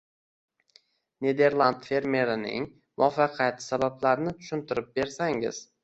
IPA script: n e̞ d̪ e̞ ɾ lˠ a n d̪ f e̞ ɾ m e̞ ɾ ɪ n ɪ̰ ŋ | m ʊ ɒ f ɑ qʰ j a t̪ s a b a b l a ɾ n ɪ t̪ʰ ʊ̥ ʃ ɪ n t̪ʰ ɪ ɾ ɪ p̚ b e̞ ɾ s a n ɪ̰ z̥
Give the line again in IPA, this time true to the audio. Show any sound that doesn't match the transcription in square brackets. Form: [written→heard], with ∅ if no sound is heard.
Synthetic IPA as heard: n e̞ d̪ e̞ ɾ lˠ a n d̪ f e̞ ɾ m e̞ ɾ ɪ n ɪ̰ ŋ | m ʊ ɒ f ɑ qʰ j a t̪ s a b a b l a ɾ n ɪ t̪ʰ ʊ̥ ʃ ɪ n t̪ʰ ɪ ɾ ɪ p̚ b e̞ ɾ s a [n→ŋ] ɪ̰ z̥